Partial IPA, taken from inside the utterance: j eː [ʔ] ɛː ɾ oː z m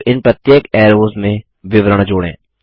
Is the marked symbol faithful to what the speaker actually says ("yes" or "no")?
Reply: no